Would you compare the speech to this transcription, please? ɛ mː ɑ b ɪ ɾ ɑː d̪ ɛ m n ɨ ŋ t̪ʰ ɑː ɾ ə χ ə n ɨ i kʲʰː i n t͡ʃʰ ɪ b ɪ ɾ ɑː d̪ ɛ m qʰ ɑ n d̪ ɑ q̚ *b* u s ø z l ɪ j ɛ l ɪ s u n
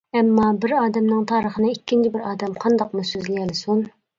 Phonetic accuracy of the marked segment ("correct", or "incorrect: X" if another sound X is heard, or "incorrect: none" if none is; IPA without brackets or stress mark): incorrect: m